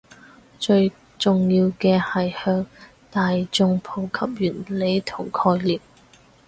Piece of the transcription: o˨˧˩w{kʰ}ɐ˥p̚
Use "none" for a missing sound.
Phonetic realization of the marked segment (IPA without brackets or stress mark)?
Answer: kʰ